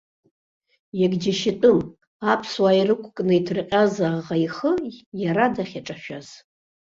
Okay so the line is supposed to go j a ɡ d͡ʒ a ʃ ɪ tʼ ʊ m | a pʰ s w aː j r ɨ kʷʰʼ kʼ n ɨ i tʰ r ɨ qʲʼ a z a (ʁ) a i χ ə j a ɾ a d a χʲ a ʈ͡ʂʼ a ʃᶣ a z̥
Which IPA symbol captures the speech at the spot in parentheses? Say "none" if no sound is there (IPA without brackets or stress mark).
ʁ